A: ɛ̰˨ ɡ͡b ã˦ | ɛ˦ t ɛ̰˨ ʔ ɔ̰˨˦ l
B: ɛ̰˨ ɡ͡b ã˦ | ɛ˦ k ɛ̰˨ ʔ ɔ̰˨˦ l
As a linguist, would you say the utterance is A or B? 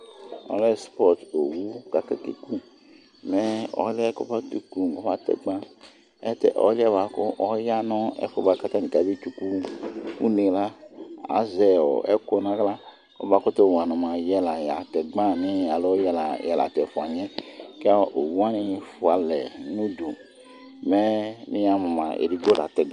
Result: A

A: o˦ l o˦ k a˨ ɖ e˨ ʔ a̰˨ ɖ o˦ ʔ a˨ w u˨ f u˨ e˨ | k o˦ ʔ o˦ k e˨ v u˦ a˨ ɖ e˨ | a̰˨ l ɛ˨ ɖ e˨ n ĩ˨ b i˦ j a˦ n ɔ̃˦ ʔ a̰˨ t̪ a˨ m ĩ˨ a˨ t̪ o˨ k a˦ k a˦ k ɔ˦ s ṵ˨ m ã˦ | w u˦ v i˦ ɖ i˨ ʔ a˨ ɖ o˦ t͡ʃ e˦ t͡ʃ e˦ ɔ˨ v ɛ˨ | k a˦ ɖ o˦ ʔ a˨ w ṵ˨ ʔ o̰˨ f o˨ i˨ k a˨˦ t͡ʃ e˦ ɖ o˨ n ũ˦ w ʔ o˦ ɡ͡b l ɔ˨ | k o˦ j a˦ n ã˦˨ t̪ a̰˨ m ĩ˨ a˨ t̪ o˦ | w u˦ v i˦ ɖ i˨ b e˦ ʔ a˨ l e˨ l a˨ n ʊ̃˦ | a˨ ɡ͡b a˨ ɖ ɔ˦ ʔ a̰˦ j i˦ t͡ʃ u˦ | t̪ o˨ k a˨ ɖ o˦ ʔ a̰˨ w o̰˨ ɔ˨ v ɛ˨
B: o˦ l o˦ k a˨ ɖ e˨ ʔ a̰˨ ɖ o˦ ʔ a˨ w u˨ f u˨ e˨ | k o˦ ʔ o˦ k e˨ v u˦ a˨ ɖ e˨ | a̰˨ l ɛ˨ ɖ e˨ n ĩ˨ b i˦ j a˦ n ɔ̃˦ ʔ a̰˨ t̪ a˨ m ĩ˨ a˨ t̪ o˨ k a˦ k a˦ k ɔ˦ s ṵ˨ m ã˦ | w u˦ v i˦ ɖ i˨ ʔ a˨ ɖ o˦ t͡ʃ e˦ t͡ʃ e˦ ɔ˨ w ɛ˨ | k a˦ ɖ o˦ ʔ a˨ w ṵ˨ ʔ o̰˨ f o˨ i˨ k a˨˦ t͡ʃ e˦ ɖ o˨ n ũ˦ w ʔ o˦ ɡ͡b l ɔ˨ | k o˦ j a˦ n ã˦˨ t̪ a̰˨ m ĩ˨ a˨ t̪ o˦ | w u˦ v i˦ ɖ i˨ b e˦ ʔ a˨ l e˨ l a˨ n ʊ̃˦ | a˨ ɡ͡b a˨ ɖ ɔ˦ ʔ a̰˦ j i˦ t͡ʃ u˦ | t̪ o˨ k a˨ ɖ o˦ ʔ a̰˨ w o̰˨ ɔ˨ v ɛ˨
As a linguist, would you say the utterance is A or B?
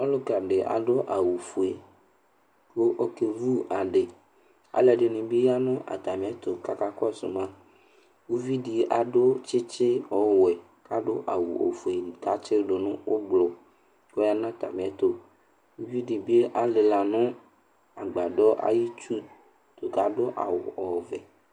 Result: B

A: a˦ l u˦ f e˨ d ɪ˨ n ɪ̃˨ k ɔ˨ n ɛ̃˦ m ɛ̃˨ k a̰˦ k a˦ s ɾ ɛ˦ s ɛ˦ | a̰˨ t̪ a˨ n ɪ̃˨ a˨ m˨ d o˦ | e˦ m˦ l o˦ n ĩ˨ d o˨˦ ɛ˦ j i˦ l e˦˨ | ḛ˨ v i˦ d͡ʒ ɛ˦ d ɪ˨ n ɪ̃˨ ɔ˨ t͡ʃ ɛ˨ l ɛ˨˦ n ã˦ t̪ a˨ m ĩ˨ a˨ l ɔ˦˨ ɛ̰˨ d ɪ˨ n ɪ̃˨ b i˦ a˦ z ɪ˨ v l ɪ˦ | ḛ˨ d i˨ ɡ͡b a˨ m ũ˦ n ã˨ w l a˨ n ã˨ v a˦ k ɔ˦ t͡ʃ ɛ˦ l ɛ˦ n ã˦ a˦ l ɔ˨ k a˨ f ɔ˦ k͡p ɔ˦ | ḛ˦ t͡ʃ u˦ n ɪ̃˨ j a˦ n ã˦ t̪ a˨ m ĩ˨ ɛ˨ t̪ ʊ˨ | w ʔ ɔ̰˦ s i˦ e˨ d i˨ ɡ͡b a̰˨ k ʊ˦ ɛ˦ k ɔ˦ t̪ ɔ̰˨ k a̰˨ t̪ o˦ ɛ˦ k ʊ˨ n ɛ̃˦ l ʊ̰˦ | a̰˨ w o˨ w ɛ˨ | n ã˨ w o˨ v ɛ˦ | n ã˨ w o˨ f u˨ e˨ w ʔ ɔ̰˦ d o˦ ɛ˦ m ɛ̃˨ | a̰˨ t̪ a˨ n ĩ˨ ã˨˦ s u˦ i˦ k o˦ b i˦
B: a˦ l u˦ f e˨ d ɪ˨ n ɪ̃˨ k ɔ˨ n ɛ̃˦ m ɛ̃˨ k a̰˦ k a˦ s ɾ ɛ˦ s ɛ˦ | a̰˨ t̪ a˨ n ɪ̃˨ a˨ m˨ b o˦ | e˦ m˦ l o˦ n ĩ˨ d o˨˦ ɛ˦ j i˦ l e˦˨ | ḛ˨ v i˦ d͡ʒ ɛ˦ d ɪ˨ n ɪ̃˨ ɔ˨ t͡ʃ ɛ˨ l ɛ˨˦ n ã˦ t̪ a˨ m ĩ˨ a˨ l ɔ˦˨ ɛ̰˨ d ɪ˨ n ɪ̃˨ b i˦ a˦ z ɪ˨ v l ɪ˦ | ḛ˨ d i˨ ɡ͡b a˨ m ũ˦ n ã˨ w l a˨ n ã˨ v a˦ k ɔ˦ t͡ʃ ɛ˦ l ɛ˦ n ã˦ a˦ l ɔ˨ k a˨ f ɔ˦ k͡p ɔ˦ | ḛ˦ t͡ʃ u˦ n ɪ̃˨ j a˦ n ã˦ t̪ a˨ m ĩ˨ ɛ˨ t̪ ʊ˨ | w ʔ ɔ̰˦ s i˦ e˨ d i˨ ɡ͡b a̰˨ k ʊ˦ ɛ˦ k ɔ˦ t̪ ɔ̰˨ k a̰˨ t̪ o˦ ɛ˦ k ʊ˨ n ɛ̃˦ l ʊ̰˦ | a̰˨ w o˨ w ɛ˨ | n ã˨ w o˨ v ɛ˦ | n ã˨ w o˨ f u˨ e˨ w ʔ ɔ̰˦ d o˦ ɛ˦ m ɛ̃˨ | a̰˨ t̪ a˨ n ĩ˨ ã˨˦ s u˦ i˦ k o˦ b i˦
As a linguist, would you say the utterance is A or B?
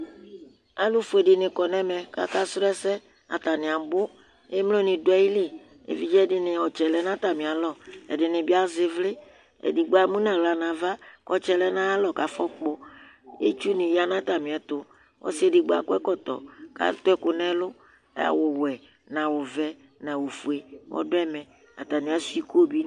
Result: B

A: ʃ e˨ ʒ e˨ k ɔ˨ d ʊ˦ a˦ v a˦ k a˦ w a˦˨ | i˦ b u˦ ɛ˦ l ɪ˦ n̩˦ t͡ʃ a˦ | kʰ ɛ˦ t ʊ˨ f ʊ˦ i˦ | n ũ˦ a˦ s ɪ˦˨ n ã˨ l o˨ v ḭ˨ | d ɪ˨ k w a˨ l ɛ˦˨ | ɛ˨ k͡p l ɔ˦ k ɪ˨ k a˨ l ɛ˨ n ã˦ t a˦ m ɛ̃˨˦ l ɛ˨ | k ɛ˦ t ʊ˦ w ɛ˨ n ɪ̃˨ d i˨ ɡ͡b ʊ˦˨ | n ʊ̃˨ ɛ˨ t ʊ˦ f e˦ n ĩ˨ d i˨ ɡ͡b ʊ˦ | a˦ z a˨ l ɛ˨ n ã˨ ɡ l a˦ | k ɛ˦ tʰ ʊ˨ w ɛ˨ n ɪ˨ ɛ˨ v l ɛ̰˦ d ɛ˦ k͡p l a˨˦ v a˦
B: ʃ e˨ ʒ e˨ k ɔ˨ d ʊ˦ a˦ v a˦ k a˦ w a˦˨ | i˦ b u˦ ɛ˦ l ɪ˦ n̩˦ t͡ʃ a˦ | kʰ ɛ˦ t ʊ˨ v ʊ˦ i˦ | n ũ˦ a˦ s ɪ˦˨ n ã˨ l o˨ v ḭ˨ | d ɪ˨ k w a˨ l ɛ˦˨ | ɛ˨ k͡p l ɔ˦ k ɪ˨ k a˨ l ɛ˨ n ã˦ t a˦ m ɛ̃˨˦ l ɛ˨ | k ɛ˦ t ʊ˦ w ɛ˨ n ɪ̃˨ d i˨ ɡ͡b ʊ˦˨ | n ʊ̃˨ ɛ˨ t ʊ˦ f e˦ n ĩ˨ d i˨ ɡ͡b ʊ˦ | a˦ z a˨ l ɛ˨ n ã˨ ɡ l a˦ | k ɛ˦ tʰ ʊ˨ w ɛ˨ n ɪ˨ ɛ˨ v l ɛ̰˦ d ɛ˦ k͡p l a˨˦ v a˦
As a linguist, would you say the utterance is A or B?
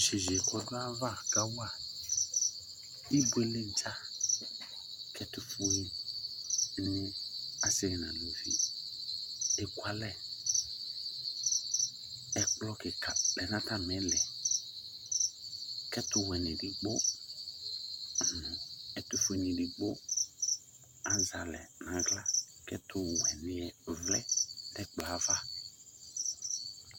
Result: A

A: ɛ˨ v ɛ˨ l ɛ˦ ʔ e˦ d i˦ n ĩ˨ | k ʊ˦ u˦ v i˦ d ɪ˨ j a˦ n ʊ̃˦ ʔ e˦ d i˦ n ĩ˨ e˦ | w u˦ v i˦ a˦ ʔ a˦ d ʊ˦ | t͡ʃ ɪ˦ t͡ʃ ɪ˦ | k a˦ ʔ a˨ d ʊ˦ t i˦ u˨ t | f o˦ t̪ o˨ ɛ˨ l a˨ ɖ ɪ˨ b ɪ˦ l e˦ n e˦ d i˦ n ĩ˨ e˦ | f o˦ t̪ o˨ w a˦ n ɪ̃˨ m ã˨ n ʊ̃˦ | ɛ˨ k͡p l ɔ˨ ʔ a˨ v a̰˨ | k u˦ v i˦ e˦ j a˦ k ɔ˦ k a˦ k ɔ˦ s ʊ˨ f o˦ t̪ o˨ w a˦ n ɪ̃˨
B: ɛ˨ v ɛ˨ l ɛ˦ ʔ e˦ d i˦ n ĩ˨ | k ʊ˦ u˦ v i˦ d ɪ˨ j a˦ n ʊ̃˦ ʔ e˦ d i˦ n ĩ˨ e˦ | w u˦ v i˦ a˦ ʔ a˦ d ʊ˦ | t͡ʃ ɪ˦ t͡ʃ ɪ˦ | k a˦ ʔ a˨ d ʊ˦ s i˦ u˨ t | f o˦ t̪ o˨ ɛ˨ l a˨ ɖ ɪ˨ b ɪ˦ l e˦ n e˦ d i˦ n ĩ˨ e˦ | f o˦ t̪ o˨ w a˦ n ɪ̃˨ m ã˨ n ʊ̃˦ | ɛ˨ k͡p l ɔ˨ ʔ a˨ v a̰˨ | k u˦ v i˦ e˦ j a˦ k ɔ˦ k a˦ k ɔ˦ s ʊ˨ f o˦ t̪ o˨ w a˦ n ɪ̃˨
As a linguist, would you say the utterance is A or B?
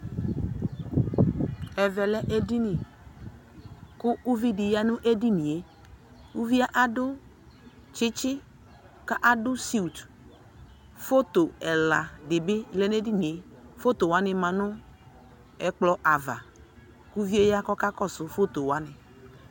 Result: B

